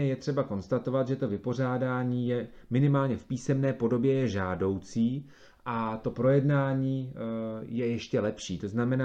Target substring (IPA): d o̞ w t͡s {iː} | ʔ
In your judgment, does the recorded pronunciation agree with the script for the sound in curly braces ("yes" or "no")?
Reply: yes